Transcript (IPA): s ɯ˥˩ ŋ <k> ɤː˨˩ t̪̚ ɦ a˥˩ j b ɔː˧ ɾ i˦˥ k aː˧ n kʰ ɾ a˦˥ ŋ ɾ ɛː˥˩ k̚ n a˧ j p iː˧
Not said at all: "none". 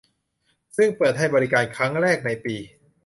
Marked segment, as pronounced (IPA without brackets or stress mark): p